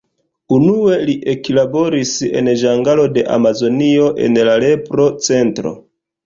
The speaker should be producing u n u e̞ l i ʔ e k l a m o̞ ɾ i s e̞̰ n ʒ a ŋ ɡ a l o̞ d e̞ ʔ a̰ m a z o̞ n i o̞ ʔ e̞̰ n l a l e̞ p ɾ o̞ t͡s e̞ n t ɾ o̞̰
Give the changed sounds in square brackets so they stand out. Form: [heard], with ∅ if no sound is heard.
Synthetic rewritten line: u n u e̞ l i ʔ e k l a [b] o̞ ɾ i s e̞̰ n ʒ a ŋ ɡ a l o̞ d e̞ ʔ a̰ m a z o̞ n i o̞ ʔ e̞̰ n l a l e̞ p ɾ o̞ t͡s e̞ n t ɾ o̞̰